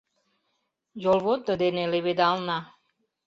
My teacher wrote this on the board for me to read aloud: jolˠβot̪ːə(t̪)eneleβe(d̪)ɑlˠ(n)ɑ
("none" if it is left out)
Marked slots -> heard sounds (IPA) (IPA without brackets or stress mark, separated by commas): d̪, d̪, n